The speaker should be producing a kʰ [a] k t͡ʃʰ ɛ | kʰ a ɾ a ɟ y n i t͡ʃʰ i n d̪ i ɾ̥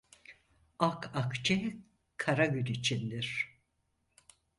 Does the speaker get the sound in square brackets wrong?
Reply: no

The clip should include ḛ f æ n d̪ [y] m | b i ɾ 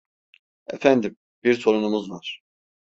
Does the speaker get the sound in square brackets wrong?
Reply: yes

